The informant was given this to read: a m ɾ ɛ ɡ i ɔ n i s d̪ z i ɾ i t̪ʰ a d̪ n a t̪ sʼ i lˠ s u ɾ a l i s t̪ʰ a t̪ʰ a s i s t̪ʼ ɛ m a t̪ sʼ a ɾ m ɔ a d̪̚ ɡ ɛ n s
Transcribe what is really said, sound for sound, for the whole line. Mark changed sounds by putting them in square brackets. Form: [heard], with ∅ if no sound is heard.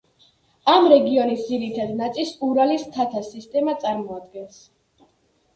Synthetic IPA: a m ɾ ɛ ɡ i ɔ n i s d̪ z i ɾ i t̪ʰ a d̪ n a t̪ sʼ i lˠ s u ɾ a l i s t̪ʰ a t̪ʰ a s i s t̪ʼ ɛ m a t̪ sʼ a ɾ m ɔ a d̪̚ ɡ ɛ n s